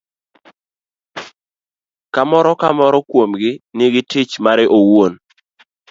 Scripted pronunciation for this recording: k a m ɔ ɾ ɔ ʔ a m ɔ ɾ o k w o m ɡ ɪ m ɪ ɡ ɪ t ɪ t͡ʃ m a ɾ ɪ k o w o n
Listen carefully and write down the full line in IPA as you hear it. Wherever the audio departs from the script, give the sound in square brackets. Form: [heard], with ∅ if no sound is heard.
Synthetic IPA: k a m ɔ ɾ ɔ [k] a m ɔ ɾ [ɔ] k w o m ɡ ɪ [n] ɪ ɡ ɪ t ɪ t͡ʃ m a ɾ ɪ [ʔ] o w o n